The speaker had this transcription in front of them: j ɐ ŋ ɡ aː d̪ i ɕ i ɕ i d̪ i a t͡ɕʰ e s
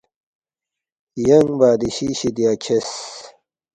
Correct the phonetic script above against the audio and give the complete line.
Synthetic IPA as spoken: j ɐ ŋ b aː d̪ i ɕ i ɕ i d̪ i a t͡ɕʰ e s